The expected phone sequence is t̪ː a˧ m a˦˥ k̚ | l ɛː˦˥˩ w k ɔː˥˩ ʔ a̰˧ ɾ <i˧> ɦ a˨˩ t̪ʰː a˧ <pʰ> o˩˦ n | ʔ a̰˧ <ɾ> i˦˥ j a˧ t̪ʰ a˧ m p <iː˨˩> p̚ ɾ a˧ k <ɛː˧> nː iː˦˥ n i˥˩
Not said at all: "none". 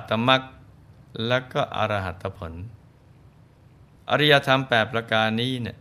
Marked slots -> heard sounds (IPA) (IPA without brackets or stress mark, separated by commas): a˧, pʰ, ɾ, ɛː˨˩, aː˧